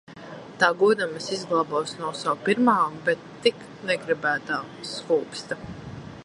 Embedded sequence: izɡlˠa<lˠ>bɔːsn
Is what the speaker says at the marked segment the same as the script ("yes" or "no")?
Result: no